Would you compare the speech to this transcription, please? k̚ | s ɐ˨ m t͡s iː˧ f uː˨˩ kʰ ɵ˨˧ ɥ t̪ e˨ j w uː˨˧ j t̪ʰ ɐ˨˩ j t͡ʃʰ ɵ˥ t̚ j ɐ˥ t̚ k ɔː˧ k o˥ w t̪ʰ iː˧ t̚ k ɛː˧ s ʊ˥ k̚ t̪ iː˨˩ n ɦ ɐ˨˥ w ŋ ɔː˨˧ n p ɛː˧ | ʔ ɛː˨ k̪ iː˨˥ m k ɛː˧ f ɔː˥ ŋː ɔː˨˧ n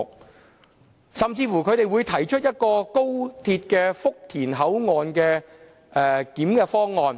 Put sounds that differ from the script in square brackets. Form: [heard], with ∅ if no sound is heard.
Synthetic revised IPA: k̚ | s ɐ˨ m t͡s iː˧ f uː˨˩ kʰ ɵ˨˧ ɥ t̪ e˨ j w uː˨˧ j t̪ʰ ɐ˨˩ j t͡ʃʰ ɵ˥ t̚ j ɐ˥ t̚ k ɔː˧ k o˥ w t̪ʰ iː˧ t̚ k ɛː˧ [f] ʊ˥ k̚ [t̪ʰ] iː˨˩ n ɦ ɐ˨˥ w ŋ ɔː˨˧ n [k] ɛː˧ | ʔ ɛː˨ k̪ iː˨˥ m k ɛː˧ f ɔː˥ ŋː ɔː˨˧ n